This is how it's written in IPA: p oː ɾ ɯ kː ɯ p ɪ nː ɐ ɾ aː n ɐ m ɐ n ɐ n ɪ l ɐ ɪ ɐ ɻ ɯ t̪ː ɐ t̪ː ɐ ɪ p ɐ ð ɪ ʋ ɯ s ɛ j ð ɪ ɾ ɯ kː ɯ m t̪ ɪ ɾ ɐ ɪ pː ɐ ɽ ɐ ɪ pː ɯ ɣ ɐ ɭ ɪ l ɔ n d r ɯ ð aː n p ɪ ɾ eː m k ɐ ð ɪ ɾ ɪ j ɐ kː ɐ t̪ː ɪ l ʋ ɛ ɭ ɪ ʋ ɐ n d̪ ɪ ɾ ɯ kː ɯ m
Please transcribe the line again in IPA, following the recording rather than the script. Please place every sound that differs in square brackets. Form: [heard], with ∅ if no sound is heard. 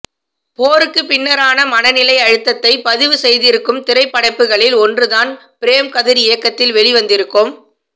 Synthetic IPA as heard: p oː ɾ ɯ kː ɯ p ɪ nː ɐ ɾ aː n ɐ m ɐ n ɐ n ɪ l ɐ ɪ ɐ ɻ ɯ t̪ː ɐ t̪ː ɐ ɪ p ɐ ð ɪ ʋ ɯ s ɛ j ð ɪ ɾ ɯ kː ɯ m t̪ ɪ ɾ ɐ ɪ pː ɐ ɽ ɐ ɪ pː ɯ ɣ ɐ ɭ ɪ l ɔ n d r ɯ ð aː n p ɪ ɾ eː m k ɐ ð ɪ ɾ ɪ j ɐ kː ɐ t̪ː ɪ l ʋ ɛ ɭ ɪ ʋ ɐ n d̪ ɪ ɾ ɯ kː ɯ m